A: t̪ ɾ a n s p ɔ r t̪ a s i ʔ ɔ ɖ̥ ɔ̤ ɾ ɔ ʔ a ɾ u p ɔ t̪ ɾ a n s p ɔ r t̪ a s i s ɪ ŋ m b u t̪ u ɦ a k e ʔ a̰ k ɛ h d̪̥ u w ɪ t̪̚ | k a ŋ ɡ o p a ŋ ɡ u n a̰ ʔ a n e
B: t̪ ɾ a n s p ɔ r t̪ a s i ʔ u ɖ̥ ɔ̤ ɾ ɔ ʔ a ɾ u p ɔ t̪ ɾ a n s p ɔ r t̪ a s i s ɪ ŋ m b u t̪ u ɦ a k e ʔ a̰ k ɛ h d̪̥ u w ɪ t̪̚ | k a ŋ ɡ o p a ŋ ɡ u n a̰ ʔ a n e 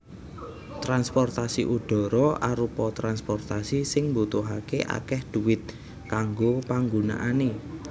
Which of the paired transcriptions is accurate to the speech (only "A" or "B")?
B